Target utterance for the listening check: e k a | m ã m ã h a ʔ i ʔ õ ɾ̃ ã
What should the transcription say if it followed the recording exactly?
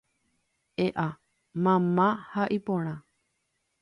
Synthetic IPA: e ʔ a | m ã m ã h a ʔ i p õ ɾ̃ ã